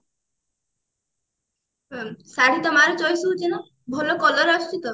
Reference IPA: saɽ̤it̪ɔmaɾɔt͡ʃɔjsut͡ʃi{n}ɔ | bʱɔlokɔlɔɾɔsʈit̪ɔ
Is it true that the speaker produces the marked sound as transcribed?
yes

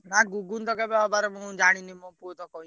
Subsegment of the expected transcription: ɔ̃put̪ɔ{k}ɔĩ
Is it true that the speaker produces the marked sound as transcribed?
yes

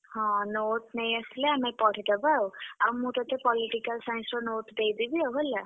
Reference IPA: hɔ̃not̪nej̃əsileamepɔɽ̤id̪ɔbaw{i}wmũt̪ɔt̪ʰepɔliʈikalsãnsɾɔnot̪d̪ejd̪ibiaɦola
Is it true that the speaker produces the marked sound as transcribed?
no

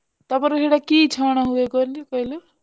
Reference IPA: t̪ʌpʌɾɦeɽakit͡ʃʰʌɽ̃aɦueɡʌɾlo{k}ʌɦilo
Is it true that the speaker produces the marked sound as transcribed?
yes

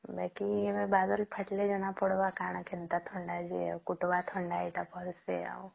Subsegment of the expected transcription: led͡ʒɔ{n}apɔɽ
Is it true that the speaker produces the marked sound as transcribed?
yes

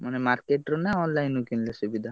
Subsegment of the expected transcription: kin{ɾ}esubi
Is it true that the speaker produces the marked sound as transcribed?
no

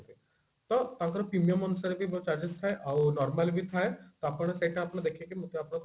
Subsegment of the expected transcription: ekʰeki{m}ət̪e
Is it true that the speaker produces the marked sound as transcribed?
yes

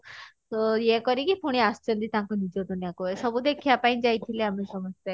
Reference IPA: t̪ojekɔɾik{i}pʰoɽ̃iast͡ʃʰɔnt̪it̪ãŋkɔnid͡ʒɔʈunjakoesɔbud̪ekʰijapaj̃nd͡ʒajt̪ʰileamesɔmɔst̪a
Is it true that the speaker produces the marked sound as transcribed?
yes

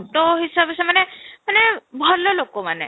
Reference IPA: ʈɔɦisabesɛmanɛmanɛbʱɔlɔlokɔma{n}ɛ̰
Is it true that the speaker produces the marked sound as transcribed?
yes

